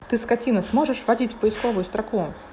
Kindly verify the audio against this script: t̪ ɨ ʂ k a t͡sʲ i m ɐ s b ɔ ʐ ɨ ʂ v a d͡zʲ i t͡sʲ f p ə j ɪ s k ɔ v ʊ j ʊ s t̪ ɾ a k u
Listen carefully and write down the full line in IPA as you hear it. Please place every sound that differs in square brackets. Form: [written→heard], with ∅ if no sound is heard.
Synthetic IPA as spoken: t̪ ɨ [ʂ→s] k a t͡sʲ i [m→n] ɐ s [b→m] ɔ ʐ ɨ ʂ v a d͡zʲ i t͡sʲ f p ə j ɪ s k ɔ v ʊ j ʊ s t̪ ɾ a k u